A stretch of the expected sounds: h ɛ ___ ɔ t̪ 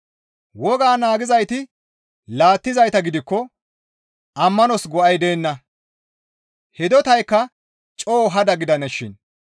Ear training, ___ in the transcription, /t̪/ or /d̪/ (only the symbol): d̪